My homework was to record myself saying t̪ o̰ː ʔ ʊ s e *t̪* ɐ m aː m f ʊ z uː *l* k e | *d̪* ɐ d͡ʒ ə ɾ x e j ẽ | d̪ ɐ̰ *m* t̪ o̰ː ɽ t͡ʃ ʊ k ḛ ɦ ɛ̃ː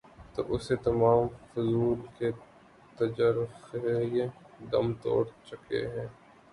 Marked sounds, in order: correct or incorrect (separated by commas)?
correct, correct, incorrect, correct